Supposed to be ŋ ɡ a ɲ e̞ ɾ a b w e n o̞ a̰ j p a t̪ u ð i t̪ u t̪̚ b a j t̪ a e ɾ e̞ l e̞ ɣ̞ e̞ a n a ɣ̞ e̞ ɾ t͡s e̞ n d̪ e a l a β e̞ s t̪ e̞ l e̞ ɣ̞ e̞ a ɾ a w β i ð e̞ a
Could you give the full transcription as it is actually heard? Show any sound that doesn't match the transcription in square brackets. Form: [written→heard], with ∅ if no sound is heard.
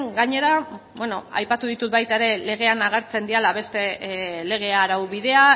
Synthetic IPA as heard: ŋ ɡ a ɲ e̞ ɾ a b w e n o̞ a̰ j p a t̪ u ð i t̪ u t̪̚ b a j t̪ a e ɾ e̞ l e̞ ɣ̞ e̞ a n a ɣ̞ e̞ ɾ t͡s e̞ n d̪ [e→i] a l a β e̞ s t̪ e̞ l e̞ ɣ̞ e̞ a ɾ a w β i ð e̞ a